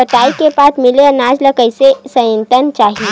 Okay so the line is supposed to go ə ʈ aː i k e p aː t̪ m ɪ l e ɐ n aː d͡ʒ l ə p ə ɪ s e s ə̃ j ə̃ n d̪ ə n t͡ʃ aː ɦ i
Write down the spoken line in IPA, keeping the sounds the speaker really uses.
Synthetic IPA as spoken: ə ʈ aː i k e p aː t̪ m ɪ l e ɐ n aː d͡ʒ l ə k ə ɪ s e s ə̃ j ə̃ n t̪ ə n t͡ʃ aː ɦ i

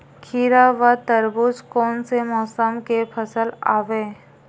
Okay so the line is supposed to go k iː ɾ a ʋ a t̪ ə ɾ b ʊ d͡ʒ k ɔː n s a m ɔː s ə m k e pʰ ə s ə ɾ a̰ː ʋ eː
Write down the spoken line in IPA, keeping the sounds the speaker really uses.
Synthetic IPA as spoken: kʰ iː ɾ a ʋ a t̪ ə ɾ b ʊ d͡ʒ k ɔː n s e m ɔː s ə m k e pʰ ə s ə l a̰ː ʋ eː

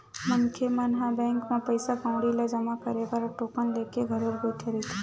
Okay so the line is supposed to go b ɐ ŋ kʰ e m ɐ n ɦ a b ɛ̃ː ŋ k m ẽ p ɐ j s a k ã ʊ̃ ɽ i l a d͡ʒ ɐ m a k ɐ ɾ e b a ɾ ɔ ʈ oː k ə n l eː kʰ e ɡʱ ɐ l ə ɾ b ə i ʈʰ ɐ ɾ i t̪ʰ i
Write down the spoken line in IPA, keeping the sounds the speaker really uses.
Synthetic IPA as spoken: m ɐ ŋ kʰ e m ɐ n ɦ a b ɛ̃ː ŋ k m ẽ p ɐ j s a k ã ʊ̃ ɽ i l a d͡ʒ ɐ m a k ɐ ɾ e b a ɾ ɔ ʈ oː k ə n l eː k e ɡʱ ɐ ɾ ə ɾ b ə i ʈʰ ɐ ɾ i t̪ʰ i

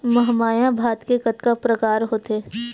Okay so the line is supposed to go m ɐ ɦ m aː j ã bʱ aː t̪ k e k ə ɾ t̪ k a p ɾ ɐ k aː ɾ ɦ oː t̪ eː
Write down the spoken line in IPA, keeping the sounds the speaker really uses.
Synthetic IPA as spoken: m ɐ ɦ m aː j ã bʱ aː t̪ k e k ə t̪ k a p ɾ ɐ k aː ɾ ɦ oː t̪ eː

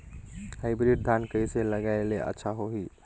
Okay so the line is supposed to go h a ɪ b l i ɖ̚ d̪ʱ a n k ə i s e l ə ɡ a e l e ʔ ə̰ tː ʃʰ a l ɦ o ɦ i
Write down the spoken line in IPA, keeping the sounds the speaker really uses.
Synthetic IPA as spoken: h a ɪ b ɾ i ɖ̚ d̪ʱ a n k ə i s e l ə ɡ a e l e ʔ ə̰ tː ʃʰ a ɦ o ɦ i

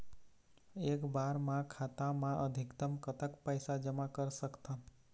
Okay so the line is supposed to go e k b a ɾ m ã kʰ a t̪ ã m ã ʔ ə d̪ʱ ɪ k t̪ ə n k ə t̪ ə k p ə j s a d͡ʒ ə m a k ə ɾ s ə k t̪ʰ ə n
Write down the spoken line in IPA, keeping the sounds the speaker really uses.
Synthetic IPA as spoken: e k b a ɾ m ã kʰ a t̪ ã m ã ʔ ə d̪ʱ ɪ k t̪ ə m k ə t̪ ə k p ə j s a d͡ʒ ə m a k ə ɾ s ə k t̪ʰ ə n

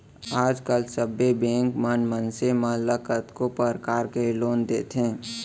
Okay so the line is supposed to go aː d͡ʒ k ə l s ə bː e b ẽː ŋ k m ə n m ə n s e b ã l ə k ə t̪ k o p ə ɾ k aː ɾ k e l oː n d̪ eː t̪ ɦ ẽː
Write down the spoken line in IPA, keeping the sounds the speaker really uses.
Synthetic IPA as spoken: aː d͡ʒ k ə l s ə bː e b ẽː ŋ k m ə n m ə n s e m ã l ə k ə t̪ k o p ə ɾ k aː ɾ k e l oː n d̪ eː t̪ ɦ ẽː

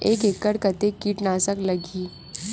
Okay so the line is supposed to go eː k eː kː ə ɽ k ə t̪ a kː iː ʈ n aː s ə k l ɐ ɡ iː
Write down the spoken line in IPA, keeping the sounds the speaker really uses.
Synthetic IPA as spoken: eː k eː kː ə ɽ k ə t̪ e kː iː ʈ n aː s ə k l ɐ ɡ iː

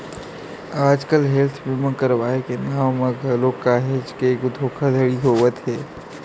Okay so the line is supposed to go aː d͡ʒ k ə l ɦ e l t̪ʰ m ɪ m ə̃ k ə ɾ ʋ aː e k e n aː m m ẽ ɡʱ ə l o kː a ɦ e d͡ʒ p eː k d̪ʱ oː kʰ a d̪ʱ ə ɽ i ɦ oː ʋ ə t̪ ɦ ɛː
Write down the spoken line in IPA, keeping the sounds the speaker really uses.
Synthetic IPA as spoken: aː d͡ʒ k ə l ɦ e l t̪ʰ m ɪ m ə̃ k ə ɾ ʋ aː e k e n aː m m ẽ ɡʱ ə l o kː a ɦ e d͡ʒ k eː k d̪ʱ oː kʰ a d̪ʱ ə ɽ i ɦ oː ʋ ə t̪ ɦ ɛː

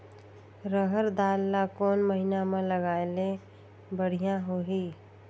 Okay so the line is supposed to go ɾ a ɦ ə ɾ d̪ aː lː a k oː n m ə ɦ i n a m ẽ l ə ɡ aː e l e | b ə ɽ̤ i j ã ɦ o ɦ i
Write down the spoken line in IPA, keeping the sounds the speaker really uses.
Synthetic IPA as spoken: ɾ ə ɦ ə ɾ d̪ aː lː a k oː n m ə ɦ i n a m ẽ l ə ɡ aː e l e | b ə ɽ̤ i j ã ɦ o ɦ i

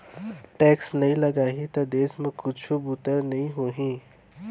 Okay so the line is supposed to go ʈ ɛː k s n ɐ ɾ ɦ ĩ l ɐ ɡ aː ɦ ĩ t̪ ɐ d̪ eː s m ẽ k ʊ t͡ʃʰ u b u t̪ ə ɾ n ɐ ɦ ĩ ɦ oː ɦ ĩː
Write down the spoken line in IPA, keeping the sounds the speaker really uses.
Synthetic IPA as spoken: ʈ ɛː k s n ɐ ɦ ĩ l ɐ ɡ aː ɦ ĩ t̪ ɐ d̪ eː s m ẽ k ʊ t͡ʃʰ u b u t̪ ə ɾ n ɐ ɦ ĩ ɦ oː ɦ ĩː

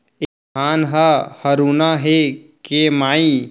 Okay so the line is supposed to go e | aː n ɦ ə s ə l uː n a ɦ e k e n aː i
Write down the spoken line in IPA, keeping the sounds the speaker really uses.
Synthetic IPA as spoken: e | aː n ɦ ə h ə ɾ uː n a ɦ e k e m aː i

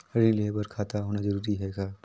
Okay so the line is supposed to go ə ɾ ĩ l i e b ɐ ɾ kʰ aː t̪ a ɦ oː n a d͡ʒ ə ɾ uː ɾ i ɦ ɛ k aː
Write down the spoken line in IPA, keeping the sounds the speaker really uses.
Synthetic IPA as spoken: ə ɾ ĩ l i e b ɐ ɾ kʰ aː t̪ a ɦ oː n a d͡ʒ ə ɾ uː ɾ i ɦ ɛ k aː

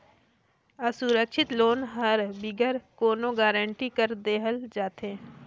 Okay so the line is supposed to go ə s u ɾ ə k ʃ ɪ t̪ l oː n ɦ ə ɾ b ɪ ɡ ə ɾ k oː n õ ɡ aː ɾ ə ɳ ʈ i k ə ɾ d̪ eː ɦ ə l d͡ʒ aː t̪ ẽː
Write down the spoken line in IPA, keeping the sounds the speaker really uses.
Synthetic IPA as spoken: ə s u ɾ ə k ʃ ɪ t̪ l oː n ɦ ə ɾ b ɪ ɡ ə ɾ k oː n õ ɡ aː ɾ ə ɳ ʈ i k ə ɾ d̪ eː ɦ ə l d͡ʒ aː t̪ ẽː

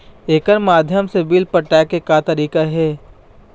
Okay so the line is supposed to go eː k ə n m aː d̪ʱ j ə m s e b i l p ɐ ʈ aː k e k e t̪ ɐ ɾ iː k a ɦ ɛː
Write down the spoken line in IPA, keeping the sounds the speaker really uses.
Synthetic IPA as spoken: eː k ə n m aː d̪ʱ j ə m s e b i l p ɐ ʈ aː k e k a t̪ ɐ ɾ iː k a ɦ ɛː

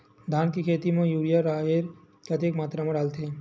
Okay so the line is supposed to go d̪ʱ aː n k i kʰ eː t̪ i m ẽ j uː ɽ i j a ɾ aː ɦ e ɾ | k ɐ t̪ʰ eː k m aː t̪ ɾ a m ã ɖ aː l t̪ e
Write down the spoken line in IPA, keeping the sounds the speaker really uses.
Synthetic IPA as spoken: d̪ʱ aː n k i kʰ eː t̪ i m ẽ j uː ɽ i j a ɾ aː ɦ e ɾ | k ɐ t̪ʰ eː k m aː t̪ ɾ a m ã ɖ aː l t̪ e

